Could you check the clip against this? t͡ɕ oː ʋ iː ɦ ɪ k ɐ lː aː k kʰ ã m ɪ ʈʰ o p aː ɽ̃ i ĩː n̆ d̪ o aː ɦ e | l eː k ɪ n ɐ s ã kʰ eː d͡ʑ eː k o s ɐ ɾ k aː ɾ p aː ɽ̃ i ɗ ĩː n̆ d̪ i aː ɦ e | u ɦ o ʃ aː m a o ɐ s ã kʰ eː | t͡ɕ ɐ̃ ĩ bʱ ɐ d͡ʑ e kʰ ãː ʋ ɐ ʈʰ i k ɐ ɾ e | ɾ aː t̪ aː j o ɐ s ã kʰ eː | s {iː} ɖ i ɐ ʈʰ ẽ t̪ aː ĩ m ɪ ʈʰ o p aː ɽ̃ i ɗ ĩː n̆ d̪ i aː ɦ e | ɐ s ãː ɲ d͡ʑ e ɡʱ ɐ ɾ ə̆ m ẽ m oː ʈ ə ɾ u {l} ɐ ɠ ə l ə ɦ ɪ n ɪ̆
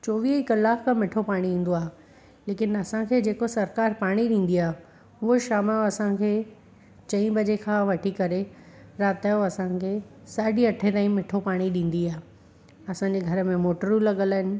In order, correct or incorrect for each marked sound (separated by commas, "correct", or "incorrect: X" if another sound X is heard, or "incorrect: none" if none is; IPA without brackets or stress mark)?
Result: incorrect: aː, correct